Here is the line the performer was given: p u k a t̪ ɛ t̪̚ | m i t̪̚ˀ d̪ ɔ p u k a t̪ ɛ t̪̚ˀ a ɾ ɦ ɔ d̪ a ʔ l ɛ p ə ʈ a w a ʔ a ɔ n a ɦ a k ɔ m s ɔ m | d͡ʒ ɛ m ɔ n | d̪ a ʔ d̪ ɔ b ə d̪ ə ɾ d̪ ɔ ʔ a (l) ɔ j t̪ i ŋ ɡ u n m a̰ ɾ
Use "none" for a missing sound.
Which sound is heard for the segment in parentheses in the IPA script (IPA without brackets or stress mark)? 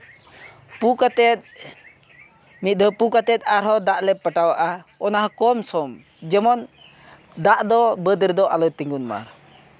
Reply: l